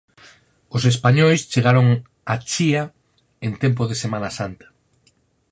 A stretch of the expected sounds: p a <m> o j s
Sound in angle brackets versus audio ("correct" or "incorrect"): incorrect